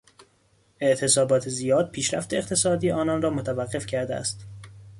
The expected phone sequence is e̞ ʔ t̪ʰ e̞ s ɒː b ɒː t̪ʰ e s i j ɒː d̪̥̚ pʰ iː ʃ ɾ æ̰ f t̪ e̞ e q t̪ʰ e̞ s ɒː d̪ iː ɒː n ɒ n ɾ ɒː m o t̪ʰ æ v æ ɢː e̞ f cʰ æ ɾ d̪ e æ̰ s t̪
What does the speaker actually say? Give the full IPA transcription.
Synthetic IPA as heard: e̞ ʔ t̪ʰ e̞ s ɒː b ɒː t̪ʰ e z i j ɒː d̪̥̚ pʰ iː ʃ ɾ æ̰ f t̪ e̞ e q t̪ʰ e̞ s ɒː d̪ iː ɒː n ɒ n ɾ ɒː m o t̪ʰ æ v æ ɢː e̞ f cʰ æ ɾ d̪ e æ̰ s t̪